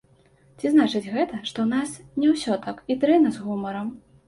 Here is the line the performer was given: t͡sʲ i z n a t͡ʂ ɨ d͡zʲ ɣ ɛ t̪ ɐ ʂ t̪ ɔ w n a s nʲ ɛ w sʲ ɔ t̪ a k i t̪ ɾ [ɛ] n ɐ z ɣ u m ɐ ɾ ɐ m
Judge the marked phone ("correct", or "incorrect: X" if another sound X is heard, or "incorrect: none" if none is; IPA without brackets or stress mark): correct